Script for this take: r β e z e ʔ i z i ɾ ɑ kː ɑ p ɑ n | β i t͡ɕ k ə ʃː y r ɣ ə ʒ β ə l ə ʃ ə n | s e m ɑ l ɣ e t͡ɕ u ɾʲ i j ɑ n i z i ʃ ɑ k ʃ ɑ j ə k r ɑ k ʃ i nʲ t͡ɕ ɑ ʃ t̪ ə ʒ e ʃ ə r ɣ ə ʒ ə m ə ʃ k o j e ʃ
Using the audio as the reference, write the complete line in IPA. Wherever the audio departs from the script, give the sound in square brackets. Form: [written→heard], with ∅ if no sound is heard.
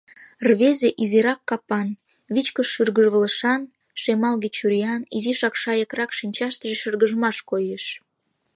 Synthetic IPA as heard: r β e z e ʔ i z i ɾ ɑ kː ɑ p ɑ n | β i t͡ɕ k ə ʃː y r ɣ ə ʒ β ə l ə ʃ [ə→ɑ] n | [s→ʃ] e m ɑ l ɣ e t͡ɕ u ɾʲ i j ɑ n i z i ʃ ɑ k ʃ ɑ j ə k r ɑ k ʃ i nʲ t͡ɕ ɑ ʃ t̪ ə ʒ e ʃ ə r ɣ ə ʒ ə m [ə→ɑ] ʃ k o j e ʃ